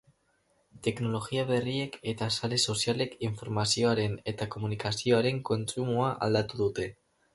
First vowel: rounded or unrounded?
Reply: unrounded